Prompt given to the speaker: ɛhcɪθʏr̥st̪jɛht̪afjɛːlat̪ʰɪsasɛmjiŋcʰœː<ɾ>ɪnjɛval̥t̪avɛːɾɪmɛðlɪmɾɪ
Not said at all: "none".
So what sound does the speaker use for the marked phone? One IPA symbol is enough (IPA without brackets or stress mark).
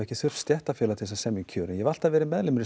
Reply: ɾ